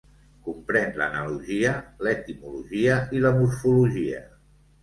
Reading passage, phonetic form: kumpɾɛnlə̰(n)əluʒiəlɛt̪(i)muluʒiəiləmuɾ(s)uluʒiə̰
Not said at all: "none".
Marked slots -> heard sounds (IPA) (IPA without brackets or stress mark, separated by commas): n, i, f